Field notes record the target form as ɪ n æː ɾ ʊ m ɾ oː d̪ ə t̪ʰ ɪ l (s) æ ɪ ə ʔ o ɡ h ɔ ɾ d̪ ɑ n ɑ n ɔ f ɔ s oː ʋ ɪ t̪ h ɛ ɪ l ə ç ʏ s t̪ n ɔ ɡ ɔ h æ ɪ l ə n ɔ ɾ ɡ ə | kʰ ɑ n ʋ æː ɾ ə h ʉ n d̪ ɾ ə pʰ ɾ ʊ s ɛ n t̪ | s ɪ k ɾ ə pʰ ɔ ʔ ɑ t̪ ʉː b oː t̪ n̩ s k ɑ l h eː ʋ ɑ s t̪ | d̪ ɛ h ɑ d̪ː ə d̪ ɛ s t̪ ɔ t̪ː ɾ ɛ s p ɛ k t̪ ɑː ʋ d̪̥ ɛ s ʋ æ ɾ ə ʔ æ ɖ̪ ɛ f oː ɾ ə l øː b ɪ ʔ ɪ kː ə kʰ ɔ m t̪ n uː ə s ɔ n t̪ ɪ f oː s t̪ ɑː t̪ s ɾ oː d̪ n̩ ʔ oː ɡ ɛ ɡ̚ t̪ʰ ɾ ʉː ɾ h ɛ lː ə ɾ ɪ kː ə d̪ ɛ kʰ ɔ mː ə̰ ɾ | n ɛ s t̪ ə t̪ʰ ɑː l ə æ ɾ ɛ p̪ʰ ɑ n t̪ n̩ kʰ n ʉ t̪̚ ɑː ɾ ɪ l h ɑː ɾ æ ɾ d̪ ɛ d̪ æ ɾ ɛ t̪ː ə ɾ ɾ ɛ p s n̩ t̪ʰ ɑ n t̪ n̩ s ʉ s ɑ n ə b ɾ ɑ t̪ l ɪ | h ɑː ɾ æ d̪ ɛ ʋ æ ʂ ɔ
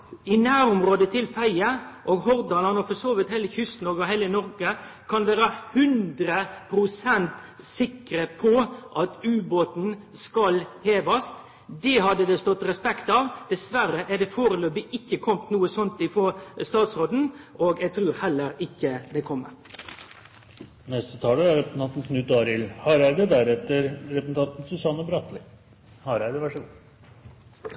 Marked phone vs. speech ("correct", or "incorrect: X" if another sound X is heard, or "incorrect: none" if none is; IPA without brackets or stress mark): incorrect: f